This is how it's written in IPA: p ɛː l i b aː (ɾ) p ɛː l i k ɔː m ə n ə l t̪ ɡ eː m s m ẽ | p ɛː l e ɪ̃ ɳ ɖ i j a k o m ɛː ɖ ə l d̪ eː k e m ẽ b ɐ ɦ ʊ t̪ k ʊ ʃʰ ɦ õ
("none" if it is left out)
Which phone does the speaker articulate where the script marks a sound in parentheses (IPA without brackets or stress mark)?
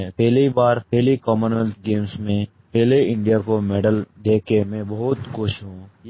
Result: ɾ